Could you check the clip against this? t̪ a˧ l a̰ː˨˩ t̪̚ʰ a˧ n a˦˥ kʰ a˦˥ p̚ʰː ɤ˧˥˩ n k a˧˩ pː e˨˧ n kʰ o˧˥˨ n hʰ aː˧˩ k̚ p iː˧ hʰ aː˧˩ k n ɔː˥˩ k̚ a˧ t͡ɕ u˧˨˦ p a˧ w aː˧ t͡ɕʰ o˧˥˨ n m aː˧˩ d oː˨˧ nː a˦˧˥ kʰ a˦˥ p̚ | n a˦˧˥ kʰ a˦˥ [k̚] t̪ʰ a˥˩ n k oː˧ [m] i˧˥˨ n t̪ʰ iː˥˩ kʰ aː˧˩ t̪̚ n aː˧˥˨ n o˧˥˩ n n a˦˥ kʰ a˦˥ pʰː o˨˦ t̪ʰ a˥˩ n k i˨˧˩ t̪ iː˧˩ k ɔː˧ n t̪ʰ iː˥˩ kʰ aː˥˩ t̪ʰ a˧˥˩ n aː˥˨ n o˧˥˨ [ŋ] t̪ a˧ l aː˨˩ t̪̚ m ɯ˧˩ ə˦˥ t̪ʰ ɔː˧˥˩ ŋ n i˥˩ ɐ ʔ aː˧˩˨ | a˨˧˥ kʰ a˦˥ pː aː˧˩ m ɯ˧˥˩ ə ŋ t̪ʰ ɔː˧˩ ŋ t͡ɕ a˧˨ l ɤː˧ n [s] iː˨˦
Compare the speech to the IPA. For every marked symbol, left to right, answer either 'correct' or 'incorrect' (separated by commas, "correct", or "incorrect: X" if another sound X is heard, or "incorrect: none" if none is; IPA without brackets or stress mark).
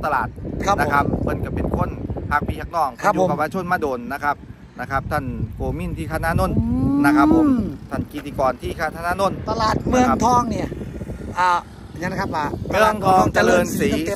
incorrect: p̚, correct, incorrect: n, correct